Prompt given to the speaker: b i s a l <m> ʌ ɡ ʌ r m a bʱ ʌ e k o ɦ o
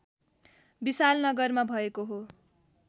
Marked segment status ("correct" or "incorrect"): incorrect